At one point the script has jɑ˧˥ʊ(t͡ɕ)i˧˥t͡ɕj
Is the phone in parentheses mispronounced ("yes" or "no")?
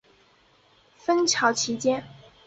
yes